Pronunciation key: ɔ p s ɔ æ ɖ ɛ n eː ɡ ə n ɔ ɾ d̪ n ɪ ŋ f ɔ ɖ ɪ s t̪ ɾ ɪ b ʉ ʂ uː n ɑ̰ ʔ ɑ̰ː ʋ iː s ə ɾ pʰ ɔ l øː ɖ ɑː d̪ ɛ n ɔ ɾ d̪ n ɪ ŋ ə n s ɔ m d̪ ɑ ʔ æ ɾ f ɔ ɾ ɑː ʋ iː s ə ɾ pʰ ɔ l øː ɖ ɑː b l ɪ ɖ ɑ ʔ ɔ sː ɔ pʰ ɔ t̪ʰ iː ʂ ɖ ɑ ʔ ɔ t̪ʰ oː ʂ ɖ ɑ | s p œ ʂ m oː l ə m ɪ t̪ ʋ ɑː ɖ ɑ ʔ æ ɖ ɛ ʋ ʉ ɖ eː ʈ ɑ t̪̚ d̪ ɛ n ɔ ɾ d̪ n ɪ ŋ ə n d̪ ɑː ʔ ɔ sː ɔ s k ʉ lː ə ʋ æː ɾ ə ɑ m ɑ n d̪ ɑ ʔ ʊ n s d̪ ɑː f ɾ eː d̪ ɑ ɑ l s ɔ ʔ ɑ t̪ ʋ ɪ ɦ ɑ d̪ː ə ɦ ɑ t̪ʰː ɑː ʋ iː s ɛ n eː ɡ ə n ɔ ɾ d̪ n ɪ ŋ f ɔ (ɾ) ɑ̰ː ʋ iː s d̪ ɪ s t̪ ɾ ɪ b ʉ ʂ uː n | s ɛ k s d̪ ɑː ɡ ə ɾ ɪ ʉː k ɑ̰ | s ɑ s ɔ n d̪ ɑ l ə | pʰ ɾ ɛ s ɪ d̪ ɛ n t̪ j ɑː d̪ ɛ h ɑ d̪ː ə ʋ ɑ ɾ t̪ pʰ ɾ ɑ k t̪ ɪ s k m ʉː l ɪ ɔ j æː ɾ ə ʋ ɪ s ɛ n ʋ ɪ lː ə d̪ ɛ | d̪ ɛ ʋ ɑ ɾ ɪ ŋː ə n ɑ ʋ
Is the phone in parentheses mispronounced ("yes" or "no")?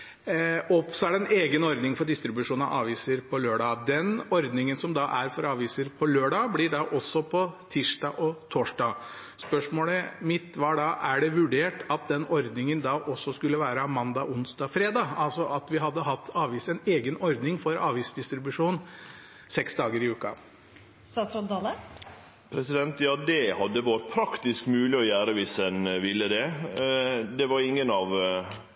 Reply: no